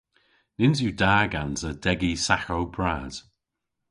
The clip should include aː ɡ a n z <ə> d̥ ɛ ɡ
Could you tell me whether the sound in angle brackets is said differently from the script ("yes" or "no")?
no